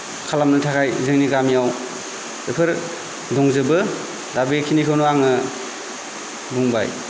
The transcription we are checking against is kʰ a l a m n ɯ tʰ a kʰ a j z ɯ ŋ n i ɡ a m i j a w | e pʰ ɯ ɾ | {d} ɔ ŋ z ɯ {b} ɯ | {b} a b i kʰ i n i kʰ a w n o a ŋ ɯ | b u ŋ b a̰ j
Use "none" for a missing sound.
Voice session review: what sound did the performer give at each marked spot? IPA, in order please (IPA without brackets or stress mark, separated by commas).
d, b, d